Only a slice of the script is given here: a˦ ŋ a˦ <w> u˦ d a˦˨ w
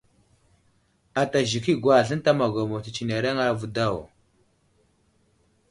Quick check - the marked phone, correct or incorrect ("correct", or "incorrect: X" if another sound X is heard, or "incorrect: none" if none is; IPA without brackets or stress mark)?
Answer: incorrect: v